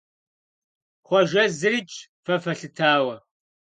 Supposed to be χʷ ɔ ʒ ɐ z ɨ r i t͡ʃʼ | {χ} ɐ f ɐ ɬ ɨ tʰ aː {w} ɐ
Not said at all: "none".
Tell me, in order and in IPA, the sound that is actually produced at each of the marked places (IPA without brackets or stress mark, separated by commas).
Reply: f, w